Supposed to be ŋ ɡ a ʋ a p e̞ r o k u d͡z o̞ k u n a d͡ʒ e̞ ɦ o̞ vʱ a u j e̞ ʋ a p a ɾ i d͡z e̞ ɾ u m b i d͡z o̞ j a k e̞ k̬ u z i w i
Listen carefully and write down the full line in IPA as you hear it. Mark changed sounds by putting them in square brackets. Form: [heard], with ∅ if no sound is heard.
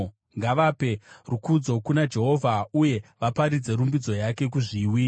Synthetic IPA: ŋ ɡ a ʋ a p e̞ r [u] k u d͡z o̞ k u n a d͡ʒ e̞ ɦ o̞ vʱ a u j e̞ ʋ a p a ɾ i d͡z e̞ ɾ u m b i d͡z o̞ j a k e̞ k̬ u [ʐ] i w i